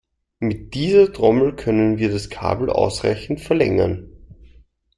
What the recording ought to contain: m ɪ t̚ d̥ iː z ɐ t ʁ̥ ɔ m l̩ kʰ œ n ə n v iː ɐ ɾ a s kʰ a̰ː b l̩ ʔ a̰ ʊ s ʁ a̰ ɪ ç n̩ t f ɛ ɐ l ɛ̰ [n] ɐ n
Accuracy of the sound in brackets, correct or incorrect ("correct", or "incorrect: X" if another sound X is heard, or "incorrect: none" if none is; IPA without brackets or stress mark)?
incorrect: ŋ